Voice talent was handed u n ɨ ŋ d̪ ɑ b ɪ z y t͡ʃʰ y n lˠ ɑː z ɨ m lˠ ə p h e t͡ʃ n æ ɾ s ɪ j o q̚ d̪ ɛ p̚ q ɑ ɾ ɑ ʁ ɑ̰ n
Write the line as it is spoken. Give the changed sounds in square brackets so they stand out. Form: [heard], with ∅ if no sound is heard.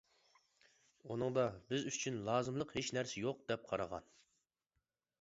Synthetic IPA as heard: u n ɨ ŋ d̪ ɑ b ɪ z y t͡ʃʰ y n lˠ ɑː z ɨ m lˠ ə [q] h e t͡ʃ n æ ɾ s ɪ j o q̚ d̪ ɛ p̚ [qʰ] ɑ ɾ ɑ ʁ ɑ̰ n